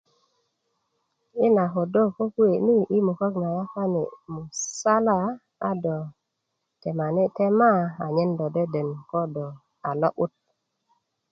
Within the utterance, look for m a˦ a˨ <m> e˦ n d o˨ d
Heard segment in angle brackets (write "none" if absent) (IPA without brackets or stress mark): ɲ